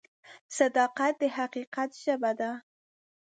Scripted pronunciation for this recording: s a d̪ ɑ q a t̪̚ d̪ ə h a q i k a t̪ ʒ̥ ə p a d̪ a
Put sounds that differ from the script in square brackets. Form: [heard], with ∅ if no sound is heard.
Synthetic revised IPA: s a d̪ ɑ q a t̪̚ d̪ ə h a q i [q] a t̪ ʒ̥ ə [b] a d̪ a